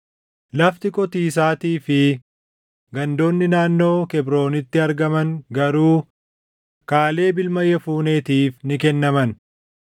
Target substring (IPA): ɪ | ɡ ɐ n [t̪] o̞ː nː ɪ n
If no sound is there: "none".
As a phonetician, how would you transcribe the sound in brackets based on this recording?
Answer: d̪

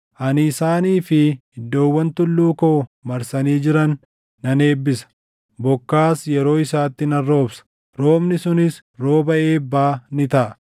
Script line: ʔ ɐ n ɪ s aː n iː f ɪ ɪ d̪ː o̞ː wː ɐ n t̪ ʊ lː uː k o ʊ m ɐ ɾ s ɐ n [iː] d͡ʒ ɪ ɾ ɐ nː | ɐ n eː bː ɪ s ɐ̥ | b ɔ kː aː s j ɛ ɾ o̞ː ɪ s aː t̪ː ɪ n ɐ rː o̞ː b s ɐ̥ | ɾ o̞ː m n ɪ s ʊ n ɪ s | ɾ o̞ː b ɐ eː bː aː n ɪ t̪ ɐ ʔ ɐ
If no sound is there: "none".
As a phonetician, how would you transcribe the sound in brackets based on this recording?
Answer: iː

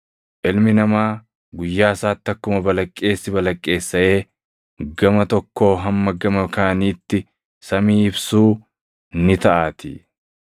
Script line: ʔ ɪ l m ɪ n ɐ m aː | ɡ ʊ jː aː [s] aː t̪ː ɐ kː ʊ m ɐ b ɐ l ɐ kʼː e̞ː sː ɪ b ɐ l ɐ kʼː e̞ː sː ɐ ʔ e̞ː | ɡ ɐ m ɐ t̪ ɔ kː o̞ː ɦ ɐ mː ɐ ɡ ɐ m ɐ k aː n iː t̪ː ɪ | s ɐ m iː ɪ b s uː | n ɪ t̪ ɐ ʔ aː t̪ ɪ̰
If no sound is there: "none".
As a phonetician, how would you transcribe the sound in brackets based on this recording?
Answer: s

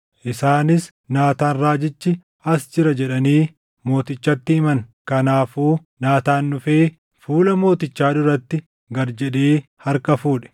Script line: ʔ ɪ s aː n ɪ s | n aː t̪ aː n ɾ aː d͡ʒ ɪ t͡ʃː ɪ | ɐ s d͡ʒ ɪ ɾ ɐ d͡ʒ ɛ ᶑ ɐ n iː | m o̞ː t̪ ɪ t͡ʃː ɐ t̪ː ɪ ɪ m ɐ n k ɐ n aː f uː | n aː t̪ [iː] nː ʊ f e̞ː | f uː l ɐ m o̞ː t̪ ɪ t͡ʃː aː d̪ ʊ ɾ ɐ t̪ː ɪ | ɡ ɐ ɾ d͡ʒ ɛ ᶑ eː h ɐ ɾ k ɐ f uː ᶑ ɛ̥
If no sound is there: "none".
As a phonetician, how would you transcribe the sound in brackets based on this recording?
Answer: aː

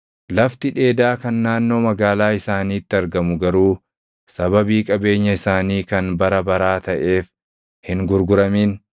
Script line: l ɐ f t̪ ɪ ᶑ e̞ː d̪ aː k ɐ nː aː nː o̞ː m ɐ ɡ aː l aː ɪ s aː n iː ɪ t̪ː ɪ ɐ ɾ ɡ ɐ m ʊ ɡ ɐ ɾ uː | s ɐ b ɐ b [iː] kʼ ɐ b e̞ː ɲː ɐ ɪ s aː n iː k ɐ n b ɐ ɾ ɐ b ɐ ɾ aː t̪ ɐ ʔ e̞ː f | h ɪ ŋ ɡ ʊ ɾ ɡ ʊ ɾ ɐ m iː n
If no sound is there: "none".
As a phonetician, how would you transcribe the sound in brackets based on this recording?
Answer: iː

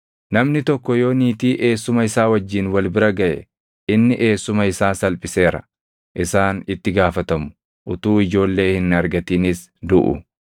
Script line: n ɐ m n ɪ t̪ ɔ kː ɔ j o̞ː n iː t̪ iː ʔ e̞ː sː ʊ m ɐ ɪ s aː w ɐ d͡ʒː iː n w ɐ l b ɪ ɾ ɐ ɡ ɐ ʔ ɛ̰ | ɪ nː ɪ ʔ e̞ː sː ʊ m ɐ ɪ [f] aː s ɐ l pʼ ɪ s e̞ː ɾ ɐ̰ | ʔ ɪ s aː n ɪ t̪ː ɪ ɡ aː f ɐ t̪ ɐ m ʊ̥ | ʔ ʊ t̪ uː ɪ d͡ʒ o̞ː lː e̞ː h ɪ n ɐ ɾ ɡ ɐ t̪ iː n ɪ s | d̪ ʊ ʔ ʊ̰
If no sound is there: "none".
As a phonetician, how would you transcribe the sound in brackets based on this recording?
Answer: s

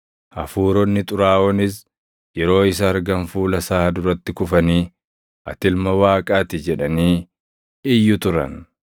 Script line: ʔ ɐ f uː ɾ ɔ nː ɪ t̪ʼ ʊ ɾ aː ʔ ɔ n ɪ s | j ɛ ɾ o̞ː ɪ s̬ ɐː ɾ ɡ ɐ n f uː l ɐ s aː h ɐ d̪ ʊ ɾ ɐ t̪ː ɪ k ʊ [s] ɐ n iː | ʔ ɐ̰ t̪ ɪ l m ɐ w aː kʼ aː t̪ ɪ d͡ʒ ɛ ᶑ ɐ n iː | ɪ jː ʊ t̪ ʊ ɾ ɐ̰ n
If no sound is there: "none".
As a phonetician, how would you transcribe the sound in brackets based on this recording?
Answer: f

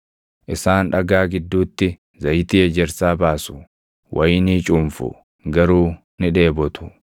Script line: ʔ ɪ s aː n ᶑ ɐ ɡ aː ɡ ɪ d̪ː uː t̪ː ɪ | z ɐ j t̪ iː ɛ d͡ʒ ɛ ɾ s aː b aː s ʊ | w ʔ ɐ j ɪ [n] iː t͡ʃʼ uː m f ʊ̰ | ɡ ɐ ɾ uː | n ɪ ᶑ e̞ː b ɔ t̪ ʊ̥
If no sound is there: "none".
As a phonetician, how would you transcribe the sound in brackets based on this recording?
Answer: n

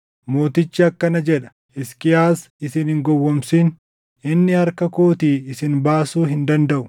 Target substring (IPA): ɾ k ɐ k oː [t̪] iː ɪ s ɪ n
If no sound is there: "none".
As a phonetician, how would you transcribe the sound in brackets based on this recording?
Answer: t̪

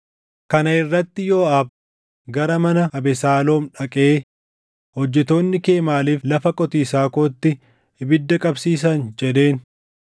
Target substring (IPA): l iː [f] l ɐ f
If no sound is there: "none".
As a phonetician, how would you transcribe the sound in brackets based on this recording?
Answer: f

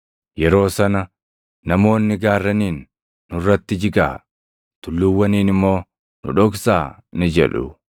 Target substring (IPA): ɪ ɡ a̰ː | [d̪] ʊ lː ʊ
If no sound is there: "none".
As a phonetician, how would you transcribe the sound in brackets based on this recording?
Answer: t̪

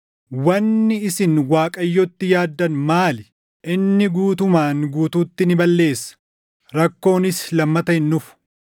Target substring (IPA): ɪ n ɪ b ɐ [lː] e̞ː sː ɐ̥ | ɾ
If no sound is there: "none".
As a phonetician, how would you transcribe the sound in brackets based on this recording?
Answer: lː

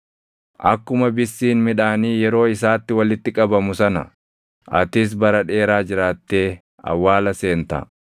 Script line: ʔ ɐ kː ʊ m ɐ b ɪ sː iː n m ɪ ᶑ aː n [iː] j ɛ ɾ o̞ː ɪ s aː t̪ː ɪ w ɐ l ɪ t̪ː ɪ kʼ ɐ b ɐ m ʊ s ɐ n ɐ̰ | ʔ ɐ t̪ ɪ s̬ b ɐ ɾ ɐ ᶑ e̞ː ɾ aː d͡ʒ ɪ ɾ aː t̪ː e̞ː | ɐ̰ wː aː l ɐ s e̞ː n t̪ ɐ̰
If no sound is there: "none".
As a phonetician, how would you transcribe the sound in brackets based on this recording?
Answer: iː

